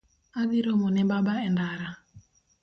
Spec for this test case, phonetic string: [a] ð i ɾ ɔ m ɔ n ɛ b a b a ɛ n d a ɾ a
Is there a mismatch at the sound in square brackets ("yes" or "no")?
no